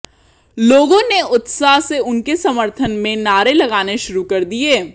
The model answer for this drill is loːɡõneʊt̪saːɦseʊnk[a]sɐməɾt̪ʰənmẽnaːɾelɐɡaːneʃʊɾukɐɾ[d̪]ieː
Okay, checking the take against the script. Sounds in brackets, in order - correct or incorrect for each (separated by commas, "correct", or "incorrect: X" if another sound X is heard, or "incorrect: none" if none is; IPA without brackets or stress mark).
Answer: incorrect: e, correct